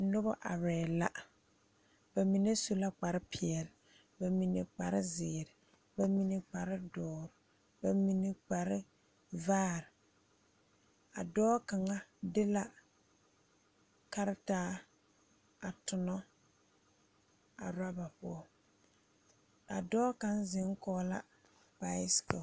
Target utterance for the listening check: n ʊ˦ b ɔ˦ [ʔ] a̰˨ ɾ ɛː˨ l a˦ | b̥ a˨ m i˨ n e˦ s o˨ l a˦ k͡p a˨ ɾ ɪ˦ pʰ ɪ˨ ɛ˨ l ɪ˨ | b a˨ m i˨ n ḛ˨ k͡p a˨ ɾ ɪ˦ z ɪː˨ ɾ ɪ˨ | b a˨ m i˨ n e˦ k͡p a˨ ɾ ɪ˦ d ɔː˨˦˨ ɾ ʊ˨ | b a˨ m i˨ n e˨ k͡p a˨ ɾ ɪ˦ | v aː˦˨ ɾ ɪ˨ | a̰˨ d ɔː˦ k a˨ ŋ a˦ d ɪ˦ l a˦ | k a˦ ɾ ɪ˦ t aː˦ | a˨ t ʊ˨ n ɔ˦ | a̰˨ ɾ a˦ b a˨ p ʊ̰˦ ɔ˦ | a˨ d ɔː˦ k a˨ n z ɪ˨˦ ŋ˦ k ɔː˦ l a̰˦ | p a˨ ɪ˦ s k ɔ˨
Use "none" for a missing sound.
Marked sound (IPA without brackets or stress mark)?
ʔ